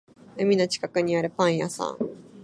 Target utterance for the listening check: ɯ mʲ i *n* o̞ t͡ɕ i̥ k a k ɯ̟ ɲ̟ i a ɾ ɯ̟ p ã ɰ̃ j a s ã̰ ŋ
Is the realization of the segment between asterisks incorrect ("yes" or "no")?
no